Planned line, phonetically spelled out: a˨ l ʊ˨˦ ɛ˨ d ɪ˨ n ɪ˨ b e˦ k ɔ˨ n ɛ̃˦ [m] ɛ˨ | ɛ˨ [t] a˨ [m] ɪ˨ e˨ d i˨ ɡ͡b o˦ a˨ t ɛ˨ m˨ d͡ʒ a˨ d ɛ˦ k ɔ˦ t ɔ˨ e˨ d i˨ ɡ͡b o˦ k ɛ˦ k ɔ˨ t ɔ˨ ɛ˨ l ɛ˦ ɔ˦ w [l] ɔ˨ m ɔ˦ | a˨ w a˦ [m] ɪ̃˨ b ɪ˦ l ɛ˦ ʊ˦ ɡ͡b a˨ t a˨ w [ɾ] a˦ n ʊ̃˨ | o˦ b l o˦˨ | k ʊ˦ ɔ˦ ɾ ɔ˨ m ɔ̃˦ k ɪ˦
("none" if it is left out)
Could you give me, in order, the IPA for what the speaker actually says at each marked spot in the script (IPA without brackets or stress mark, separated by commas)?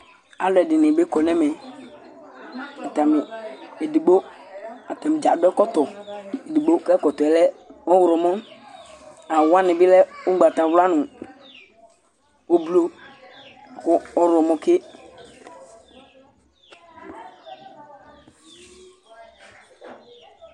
m, t, m, ɾ, n, l